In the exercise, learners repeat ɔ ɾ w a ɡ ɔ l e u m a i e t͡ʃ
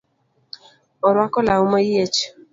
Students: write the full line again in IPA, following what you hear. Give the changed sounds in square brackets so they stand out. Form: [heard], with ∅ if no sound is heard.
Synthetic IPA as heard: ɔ ɾ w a [k] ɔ l [a] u m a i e t͡ʃ